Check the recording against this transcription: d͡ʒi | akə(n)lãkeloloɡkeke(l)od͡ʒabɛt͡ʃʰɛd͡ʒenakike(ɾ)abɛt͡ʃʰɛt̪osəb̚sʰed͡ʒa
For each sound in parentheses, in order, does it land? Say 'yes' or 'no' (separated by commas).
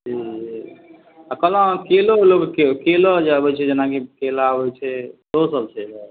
no, yes, no